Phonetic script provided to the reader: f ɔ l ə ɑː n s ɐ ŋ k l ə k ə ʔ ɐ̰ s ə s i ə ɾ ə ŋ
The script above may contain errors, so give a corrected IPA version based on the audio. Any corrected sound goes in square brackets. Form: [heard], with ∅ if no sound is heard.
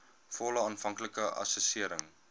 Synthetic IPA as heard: f ɔ l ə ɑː n [f] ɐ ŋ k l ə k ə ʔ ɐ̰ s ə s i ə ɾ ə ŋ